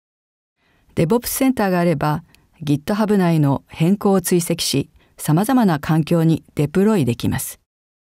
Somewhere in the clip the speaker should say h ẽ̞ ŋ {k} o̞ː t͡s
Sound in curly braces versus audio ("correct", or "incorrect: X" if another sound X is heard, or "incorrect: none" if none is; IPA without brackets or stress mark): correct